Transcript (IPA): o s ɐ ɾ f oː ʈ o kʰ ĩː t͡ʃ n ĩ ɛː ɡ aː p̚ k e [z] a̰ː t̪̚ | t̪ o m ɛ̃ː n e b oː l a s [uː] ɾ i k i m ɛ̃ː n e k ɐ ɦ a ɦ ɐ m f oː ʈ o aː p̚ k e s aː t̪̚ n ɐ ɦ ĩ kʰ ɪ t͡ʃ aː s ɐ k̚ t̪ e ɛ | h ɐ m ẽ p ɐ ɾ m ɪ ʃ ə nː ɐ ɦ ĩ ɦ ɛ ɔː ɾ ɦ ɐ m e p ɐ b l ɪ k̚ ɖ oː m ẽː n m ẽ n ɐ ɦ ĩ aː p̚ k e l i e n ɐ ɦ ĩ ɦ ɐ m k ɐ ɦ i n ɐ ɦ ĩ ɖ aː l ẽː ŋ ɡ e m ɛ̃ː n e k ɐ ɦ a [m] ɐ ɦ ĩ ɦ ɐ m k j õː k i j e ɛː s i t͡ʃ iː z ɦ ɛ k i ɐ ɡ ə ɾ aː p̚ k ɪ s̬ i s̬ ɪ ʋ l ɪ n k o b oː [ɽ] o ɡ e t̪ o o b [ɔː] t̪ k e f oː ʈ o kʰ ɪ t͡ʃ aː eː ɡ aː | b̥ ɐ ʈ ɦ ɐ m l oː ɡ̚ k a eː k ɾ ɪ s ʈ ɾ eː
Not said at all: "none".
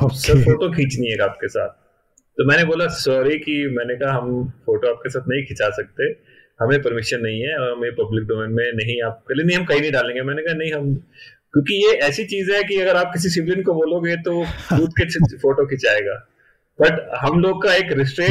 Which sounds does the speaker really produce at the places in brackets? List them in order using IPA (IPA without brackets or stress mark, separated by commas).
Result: s, ɔː, n, l, uː